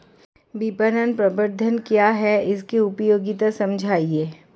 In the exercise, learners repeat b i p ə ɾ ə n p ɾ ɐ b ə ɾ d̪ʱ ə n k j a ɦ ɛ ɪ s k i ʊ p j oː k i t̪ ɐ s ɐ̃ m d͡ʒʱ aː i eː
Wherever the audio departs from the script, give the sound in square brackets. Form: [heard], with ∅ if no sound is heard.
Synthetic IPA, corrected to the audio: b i p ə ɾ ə n p ɾ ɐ b ə ɾ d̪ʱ ə n k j a ɦ ɛ ɪ s k i ʊ p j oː [ɡ] i t̪ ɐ s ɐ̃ m d͡ʒʱ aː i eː